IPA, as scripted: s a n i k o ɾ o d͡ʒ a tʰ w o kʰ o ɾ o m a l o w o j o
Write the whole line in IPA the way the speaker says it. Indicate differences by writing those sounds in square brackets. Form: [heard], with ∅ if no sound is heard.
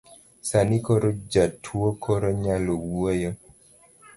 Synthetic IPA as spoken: s a n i k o ɾ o d͡ʒ a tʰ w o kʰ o ɾ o [ɲ] a l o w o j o